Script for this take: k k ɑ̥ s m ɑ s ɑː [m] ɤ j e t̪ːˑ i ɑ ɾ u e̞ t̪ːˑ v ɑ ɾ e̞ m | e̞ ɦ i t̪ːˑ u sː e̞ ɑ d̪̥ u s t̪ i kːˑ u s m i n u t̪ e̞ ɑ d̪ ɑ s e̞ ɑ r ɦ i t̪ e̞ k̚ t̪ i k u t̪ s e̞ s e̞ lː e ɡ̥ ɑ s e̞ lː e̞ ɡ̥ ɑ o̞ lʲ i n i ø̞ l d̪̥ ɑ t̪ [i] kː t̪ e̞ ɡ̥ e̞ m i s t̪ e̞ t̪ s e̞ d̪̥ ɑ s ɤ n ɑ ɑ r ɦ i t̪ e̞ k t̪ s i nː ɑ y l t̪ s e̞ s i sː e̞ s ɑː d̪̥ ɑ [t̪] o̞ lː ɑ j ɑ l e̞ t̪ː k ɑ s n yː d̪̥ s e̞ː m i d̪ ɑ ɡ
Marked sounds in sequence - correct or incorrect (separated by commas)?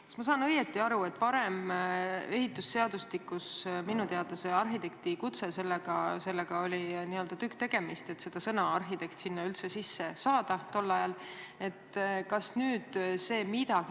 incorrect, incorrect, correct